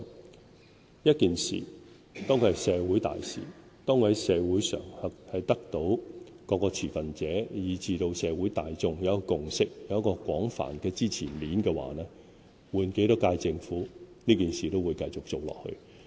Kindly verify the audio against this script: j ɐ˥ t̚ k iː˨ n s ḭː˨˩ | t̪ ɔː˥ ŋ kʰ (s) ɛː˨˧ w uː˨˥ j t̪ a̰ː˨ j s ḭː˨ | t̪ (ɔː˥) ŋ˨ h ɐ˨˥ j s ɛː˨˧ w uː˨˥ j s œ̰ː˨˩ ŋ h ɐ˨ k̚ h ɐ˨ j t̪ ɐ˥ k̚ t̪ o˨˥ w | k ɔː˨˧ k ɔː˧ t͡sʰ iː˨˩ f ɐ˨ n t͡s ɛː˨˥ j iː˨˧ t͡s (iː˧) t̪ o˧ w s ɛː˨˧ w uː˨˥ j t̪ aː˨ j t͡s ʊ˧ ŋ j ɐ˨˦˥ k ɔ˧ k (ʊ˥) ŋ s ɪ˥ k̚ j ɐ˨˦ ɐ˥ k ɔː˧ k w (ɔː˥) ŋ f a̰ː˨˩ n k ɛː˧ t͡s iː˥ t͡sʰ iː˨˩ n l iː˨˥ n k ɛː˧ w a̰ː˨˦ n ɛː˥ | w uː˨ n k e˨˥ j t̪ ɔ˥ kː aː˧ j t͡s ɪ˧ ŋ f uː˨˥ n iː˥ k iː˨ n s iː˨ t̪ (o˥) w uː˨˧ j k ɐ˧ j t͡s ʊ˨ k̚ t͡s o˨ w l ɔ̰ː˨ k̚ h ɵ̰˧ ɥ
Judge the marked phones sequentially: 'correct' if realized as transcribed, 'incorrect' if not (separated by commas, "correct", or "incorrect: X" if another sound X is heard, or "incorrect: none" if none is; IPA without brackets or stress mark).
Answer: correct, correct, correct, incorrect: ʊ˨, incorrect: ɔː˨˥, correct